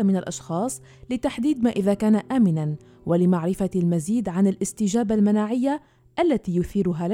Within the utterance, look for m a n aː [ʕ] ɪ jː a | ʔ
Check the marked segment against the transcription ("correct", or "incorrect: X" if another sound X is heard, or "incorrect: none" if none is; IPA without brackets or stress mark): correct